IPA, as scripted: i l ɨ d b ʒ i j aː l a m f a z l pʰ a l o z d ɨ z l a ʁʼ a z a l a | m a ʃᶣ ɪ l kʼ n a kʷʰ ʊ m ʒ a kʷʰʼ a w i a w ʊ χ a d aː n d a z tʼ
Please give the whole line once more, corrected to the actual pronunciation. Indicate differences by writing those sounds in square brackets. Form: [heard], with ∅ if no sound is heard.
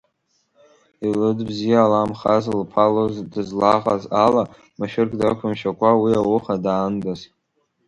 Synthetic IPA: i l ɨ d b [z] i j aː l a m [χ] a z l pʰ a l o z d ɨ z l a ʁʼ a z a l a | m a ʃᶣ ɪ [r] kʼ [d] a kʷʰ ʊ m [ʃ] a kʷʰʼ a w i a w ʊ χ a d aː n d a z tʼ